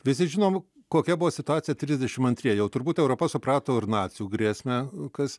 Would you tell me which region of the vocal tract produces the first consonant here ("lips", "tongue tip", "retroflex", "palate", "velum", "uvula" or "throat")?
lips